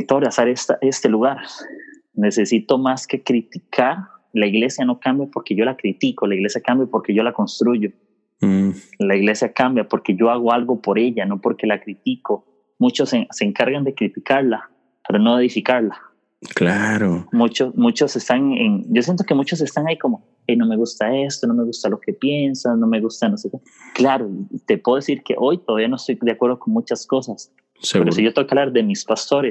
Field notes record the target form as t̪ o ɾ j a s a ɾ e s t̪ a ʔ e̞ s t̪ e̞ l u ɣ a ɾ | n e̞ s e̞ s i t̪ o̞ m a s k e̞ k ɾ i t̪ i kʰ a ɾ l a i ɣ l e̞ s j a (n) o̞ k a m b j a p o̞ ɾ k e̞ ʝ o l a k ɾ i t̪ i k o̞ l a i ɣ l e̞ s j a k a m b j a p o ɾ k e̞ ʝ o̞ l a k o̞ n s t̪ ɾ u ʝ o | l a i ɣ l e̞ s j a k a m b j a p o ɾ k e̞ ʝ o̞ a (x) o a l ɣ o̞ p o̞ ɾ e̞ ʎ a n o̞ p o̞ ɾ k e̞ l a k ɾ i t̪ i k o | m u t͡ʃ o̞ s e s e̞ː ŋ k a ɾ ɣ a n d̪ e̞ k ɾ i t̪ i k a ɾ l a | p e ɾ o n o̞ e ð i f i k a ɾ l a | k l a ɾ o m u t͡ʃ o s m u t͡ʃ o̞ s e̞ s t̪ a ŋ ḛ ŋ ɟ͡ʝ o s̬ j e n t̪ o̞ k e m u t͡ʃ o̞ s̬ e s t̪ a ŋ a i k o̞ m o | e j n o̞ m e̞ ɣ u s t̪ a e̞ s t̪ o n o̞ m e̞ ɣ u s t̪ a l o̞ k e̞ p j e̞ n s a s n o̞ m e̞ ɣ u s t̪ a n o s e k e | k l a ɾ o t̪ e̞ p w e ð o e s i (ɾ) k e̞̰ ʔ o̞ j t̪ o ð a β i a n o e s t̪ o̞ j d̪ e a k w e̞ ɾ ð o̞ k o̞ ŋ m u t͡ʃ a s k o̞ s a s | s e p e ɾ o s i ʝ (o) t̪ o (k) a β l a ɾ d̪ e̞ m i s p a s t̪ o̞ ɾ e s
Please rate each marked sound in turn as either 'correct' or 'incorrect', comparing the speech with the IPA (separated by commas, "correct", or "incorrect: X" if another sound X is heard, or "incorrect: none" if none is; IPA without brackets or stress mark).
correct, incorrect: ɣ, correct, correct, correct